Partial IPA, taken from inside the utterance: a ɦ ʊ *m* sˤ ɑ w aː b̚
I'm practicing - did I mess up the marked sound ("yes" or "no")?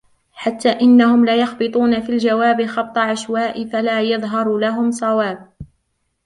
no